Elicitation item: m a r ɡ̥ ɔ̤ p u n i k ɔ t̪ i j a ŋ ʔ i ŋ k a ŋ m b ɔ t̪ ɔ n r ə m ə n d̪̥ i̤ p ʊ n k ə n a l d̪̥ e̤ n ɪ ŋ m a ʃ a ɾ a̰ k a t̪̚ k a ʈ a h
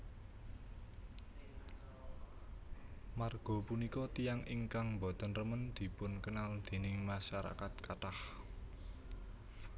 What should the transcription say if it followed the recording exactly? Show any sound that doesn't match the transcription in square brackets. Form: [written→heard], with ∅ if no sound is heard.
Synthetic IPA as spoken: m a r ɡ̥ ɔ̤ p u n i k ɔ t̪ i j a ŋ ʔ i ŋ k a ŋ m b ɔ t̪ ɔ n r ə m ə n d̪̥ i̤ p ʊ n k ə n a l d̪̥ e̤ n ɪ ŋ m a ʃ a ɾ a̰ k a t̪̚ k a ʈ a h

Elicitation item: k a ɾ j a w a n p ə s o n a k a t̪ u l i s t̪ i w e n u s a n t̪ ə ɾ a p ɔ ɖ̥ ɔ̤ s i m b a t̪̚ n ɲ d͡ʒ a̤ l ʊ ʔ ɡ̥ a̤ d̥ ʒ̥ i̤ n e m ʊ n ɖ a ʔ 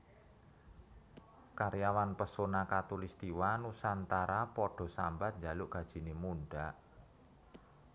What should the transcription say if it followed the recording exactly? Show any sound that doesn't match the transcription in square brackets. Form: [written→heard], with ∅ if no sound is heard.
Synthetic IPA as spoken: k a ɾ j a w a n p ə s o n a k a t̪ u l i s t̪ i w [e→a] n u s a n t̪ [ə→a] ɾ a p ɔ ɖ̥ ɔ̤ s [i→a] m b a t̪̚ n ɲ d͡ʒ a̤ l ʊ ʔ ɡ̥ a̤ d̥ ʒ̥ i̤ n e m [ʊ→u] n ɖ a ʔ

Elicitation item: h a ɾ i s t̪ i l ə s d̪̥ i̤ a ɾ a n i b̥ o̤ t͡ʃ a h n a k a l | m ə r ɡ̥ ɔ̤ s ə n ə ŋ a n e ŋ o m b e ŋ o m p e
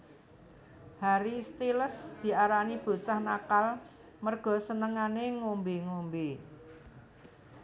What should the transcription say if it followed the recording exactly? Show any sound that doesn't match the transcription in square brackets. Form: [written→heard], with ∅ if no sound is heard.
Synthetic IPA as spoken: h a ɾ i s t̪ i l ə s d̪̥ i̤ a ɾ a n i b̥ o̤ t͡ʃ a h n a k a l | m ə r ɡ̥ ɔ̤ s ə n ə ŋ a n e ŋ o m b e ŋ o m [p→b] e

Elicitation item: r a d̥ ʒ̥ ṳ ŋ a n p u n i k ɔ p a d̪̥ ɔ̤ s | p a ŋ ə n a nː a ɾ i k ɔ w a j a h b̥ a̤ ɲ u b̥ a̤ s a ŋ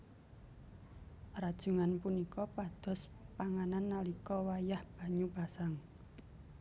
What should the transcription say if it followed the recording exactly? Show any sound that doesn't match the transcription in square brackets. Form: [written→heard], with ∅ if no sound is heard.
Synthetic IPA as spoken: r a d̥ ʒ̥ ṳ ŋ a n p u n i k ɔ p a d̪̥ ɔ̤ s | p a ŋ [ə→a] n a nː a [ɾ→l] i k ɔ w a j a h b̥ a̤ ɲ u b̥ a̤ s a ŋ

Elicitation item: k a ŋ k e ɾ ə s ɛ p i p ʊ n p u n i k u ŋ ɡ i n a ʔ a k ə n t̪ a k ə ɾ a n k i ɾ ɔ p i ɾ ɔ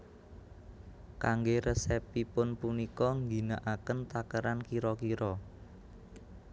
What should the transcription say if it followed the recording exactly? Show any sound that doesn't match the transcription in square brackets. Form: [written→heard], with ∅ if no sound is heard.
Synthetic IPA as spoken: k a ŋ [k→ɡ] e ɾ ə s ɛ p i p ʊ n p u n i k [u→ɔ] ŋ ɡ i n a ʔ a k ə n t̪ a k ə ɾ a n k i ɾ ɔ [p→k] i ɾ ɔ

